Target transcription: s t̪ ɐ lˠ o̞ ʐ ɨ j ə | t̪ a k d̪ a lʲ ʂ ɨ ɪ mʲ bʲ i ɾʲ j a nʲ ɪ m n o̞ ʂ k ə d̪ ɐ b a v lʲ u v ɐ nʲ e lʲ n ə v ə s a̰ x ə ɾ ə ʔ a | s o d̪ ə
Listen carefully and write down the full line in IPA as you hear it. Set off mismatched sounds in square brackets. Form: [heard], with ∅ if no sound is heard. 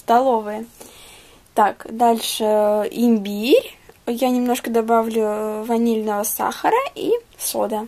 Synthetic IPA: s t̪ ɐ lˠ o̞ [v] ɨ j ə | t̪ a k d̪ a lʲ ʂ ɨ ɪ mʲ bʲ i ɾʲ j a nʲ ɪ m n o̞ ʂ k ə d̪ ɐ b a v lʲ [ʊ] v ɐ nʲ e lʲ n ə v ə s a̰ x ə ɾ ə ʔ [i] | s o d̪ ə